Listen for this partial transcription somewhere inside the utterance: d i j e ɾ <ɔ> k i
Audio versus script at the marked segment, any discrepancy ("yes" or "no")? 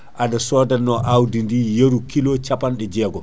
yes